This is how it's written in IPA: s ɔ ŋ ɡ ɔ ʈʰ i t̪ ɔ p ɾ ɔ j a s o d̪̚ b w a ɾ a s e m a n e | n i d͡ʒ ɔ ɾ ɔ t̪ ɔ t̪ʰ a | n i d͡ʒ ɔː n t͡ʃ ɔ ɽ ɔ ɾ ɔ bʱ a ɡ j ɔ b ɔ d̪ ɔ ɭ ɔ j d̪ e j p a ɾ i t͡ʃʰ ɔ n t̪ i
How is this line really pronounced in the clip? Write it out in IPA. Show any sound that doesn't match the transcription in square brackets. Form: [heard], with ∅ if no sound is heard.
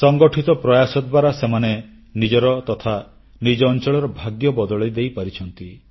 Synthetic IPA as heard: s ɔ ŋ ɡ ɔ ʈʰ i t̪ ɔ p ɾ ɔ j a s [ɔ] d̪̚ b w a ɾ a s e m a n e | n i d͡ʒ ɔ ɾ ɔ t̪ ɔ t̪ʰ a | n i d͡ʒ ɔː n t͡ʃ ɔ [ɭ] ɔ ɾ ɔ bʱ a ɡ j ɔ b ɔ d̪ ɔ ɭ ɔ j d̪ e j p a ɾ i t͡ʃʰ ɔ n t̪ i